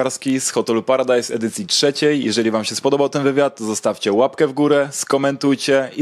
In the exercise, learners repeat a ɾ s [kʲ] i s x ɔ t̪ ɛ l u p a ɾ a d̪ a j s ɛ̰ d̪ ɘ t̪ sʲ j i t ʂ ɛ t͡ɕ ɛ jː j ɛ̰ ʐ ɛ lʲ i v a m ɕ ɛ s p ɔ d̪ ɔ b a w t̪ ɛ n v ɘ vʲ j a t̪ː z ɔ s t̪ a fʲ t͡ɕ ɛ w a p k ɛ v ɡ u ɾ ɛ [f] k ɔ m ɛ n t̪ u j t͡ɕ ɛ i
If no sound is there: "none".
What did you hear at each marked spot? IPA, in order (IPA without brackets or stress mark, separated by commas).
kʲ, s